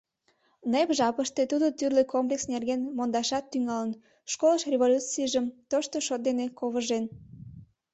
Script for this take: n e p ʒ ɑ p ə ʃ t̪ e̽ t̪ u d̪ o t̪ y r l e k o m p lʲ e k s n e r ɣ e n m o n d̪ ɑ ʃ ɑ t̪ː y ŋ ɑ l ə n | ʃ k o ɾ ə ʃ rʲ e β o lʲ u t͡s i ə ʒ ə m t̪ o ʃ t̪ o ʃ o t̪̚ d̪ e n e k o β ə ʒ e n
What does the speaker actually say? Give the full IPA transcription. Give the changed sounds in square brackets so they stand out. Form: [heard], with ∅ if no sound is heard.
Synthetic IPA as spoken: n e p ʒ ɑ p ə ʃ t̪ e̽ t̪ u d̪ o t̪ y r l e k o m p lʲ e k s n e r ɣ e n m o n d̪ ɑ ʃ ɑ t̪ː y ŋ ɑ l ə n | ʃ k o [l] ə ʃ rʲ e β o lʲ u t͡s i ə ʒ ə m t̪ o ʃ t̪ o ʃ o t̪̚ d̪ e n e k o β ə ʒ e n